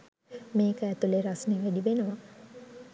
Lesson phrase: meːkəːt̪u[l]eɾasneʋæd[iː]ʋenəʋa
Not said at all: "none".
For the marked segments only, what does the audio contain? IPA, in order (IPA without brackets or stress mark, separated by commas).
l, i